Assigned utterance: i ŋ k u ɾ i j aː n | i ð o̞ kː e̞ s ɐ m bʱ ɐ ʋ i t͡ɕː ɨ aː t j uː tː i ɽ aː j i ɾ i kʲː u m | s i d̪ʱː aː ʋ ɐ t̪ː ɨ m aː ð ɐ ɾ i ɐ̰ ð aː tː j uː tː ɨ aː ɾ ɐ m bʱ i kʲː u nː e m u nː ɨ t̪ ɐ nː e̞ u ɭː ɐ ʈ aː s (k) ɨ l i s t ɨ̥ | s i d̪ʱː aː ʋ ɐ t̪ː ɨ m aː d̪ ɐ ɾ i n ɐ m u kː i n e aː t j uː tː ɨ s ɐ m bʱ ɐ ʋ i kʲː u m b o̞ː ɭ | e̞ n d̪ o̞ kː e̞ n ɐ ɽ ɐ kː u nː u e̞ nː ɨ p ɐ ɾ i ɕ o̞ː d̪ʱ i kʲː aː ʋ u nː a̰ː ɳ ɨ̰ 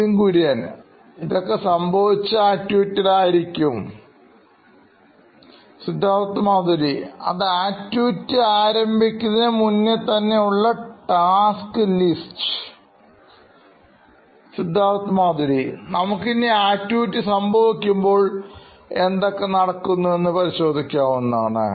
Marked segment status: correct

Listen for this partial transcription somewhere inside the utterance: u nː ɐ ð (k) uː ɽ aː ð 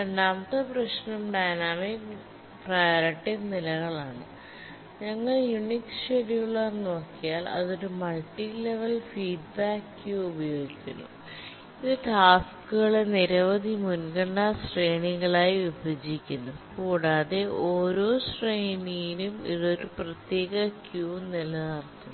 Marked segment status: correct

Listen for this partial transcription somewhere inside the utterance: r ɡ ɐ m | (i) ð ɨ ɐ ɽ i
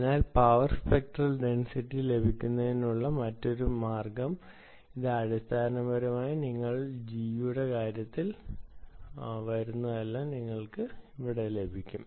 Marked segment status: correct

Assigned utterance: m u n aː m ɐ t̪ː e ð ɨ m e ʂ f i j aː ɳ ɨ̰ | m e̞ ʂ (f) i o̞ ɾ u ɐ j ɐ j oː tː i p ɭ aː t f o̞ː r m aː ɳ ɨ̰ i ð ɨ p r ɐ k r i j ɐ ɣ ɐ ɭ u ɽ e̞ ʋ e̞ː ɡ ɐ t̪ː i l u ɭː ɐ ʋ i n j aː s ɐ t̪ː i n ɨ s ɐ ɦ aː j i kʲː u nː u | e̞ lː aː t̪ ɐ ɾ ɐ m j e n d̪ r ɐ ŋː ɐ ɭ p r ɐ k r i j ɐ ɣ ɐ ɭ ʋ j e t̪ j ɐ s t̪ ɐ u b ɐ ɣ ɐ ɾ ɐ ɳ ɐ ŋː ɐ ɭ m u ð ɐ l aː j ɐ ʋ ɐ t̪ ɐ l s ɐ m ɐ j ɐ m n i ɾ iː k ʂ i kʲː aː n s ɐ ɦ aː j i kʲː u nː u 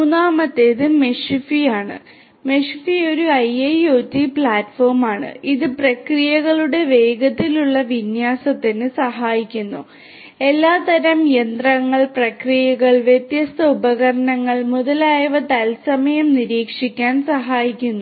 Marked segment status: correct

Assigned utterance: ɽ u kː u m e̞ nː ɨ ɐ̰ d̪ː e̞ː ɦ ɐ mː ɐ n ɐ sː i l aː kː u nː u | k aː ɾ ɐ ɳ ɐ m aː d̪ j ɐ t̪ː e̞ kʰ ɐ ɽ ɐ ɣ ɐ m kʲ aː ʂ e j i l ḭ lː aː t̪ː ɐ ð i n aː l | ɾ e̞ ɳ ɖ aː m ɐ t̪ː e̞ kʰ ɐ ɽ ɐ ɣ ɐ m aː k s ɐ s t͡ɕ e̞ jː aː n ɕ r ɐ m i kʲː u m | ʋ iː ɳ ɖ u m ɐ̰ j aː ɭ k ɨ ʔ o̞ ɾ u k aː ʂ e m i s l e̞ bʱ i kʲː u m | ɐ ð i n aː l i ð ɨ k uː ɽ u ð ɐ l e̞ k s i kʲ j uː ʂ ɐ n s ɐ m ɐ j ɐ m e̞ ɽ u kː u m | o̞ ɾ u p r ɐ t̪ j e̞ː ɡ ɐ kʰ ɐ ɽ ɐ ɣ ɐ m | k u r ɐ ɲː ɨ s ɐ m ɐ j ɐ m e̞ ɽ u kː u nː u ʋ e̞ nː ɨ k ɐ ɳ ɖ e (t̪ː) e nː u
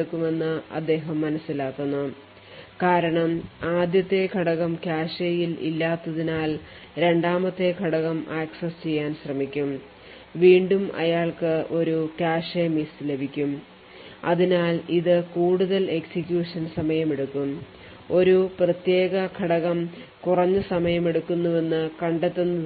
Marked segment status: correct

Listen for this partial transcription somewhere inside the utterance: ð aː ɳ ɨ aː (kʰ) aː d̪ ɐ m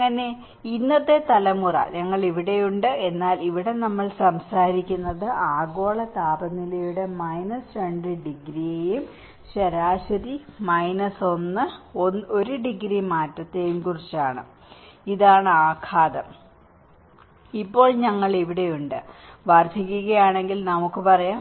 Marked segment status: correct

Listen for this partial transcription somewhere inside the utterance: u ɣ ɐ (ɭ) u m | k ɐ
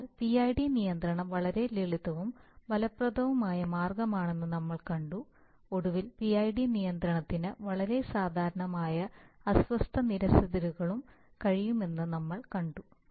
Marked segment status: correct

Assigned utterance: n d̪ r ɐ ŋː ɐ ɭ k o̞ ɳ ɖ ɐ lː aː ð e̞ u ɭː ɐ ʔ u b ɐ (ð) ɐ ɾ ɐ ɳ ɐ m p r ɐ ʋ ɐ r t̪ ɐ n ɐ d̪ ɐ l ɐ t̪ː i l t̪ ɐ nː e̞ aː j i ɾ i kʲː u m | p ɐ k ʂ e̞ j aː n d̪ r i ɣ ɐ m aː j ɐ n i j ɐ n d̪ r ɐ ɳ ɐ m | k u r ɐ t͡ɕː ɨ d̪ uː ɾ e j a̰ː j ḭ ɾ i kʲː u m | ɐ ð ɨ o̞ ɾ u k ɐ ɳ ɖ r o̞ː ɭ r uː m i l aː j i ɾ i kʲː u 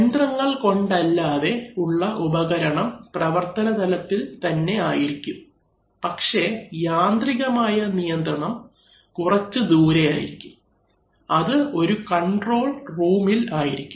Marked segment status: incorrect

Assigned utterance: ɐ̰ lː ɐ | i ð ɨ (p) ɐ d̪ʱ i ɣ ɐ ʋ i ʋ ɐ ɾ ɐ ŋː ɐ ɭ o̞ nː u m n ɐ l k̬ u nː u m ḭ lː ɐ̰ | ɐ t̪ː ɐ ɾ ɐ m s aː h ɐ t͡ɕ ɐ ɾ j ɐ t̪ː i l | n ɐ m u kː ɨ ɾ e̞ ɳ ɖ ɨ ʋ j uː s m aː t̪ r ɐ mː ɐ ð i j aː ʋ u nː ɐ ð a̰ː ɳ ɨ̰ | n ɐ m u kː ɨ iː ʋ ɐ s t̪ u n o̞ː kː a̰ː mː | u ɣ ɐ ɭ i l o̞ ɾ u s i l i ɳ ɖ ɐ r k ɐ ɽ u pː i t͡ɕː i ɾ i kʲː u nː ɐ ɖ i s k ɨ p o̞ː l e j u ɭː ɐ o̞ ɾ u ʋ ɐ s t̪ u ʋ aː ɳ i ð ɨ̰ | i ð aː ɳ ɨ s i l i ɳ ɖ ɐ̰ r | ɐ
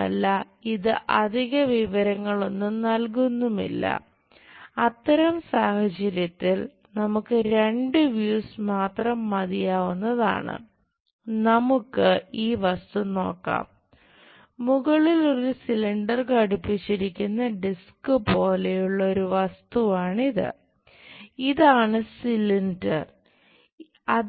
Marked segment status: incorrect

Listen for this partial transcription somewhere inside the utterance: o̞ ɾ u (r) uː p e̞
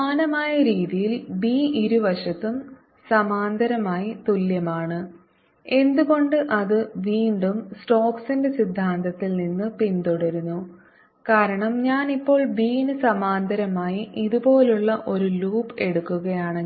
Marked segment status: incorrect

